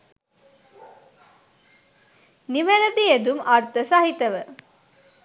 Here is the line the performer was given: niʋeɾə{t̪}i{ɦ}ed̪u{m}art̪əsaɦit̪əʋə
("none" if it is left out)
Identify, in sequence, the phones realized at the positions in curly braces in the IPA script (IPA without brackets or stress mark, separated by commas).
d̪, none, m